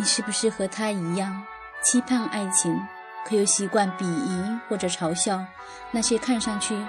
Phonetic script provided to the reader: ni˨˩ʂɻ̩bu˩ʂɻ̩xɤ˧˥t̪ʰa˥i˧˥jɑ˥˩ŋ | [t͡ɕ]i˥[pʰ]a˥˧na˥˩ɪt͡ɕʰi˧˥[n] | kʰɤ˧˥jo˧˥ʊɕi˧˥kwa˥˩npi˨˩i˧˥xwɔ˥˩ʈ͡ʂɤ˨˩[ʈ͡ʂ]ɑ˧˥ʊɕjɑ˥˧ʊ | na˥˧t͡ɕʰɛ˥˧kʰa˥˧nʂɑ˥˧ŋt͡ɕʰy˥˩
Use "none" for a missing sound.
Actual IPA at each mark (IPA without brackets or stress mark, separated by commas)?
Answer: t͡ɕʰ, pʰ, ŋ, ʈ͡ʂʰ